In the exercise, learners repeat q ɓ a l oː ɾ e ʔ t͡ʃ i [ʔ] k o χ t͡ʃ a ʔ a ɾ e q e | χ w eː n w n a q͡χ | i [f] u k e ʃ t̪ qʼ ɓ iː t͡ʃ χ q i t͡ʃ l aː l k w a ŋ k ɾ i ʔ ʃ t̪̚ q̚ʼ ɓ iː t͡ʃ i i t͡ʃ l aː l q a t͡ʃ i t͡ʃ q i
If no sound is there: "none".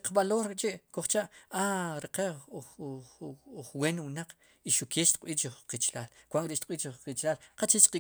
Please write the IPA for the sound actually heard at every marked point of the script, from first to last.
ʔ, ʃ

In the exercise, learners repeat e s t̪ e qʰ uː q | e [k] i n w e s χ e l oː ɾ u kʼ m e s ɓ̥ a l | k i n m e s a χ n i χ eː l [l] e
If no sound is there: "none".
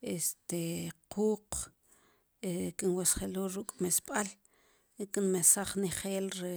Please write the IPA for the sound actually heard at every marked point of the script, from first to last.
k, ɾ

